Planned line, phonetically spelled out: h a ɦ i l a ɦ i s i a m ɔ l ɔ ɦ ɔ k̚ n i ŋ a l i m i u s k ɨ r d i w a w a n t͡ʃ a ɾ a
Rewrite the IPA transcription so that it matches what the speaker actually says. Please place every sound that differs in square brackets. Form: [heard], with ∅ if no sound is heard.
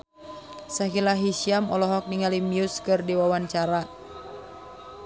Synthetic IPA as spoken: [s] a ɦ i l a ɦ i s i a m ɔ l ɔ ɦ ɔ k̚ n i ŋ a l i m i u s k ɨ r d i w a w a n t͡ʃ a ɾ a